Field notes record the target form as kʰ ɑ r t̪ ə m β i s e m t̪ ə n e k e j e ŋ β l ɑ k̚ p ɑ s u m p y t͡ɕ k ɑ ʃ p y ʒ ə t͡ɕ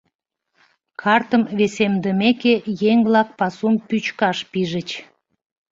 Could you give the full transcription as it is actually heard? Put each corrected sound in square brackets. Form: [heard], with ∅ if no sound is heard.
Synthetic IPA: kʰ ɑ r t̪ ə m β [e] s e m [d̪] ə [m] e k e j e ŋ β l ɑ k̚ p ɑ s u m p y t͡ɕ k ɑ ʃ p [i] ʒ ə t͡ɕ